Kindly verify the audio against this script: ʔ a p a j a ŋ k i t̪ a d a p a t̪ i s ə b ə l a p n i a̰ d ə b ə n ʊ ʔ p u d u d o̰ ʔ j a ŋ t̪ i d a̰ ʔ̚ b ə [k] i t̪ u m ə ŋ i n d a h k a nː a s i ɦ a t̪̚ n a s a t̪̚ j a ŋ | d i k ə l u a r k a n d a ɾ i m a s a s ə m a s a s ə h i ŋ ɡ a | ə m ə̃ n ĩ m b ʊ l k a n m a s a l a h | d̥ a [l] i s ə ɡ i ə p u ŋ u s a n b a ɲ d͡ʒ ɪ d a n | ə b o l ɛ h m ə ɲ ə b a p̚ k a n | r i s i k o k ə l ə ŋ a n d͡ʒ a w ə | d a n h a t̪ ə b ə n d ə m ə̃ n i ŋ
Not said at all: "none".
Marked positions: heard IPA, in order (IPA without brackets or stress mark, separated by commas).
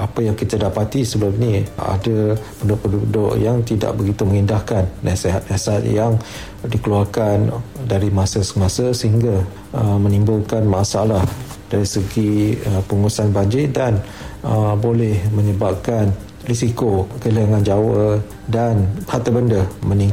ɡ, ɾ